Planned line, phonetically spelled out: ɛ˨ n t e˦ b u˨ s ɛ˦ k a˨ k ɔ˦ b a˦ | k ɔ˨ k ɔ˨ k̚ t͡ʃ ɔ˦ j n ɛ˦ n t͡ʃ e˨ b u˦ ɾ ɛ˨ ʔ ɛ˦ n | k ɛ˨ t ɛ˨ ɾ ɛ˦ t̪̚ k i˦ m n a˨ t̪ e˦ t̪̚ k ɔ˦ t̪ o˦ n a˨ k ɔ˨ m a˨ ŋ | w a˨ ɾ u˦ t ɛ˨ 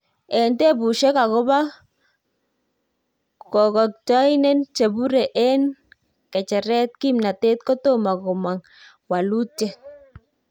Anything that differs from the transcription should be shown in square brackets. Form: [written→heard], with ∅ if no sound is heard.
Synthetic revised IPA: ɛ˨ n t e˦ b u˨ [s→ʃ] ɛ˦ k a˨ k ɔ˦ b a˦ | k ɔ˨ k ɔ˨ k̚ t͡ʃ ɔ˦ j n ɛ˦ n t͡ʃ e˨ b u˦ ɾ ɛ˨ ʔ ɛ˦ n | k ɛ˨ [t→t͡ʃ] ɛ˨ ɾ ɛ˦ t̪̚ k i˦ m n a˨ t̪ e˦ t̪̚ k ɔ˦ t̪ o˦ [n→m] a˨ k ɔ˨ m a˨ ŋ | w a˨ [ɾ→l] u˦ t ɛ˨